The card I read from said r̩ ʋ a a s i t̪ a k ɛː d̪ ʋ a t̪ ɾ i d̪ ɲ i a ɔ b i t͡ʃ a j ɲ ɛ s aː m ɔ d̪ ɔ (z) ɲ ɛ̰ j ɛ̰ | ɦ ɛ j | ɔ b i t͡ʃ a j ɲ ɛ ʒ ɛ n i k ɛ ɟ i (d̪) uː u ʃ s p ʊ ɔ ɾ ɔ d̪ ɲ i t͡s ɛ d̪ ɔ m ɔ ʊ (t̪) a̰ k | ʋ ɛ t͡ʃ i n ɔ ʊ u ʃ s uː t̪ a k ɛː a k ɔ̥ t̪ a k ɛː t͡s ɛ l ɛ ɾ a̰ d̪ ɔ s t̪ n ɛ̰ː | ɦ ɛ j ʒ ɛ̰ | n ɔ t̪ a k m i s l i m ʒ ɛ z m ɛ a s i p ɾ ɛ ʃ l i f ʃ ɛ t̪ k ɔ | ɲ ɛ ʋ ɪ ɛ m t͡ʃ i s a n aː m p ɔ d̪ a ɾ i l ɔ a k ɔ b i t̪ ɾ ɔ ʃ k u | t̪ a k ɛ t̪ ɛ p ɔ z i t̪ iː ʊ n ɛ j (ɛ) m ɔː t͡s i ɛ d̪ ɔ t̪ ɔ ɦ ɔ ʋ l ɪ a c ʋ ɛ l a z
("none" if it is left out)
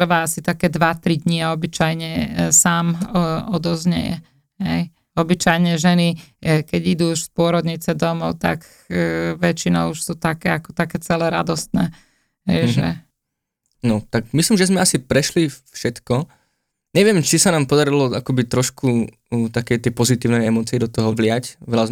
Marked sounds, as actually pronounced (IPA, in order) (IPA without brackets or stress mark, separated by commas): z, d̪, t̪, ɛ